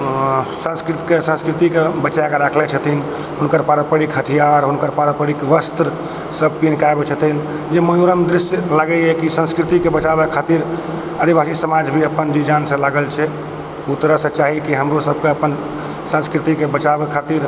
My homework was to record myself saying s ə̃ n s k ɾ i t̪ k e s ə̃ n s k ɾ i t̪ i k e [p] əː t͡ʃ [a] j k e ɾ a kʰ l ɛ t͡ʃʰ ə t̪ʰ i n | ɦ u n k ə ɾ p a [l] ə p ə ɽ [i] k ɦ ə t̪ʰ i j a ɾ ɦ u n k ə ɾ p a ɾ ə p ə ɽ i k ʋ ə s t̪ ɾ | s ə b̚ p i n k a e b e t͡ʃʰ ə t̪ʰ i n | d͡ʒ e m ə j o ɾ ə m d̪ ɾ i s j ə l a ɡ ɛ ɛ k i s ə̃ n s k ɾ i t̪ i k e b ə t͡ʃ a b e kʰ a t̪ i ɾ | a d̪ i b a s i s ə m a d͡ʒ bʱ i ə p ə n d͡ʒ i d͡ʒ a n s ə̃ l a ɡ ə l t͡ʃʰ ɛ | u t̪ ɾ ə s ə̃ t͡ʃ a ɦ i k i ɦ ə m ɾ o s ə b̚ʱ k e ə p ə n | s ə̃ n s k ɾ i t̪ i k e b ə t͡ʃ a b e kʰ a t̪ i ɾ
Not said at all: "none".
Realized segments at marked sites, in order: b, a, ɾ, i

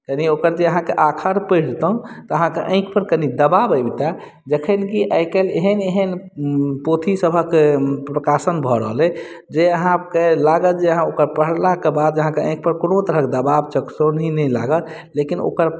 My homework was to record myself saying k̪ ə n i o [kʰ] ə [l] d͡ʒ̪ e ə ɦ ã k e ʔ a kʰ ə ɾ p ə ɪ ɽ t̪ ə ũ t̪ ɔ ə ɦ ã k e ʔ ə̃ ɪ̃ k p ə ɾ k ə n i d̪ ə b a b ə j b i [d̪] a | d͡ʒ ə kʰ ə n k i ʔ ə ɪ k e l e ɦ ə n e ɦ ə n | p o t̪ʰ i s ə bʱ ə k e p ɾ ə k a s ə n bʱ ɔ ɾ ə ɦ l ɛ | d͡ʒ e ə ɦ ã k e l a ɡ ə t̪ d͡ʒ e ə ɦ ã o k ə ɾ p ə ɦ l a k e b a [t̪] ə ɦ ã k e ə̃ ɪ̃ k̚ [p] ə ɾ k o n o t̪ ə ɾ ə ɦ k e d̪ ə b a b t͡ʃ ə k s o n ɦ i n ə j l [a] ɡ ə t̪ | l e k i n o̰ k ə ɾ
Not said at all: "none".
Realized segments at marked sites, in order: k, ɾ, t̪, d̪, p, a

